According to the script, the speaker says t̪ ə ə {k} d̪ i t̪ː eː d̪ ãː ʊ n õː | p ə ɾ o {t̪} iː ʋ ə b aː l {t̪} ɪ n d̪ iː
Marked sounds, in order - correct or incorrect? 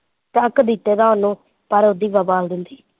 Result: correct, incorrect, incorrect

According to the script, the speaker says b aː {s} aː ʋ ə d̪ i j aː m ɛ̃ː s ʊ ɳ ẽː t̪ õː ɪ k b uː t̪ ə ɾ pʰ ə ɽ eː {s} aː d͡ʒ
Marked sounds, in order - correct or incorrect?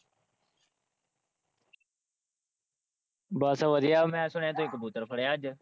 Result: correct, incorrect

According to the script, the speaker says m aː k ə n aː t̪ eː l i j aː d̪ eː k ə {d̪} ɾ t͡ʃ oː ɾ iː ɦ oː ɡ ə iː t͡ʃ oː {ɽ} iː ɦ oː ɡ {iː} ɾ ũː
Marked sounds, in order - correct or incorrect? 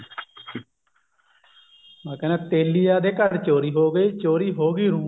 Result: incorrect, incorrect, correct

